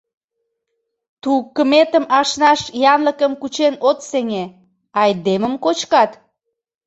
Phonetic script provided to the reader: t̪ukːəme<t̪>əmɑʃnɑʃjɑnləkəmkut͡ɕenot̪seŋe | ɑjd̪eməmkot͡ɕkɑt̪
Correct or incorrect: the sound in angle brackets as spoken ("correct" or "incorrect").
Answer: correct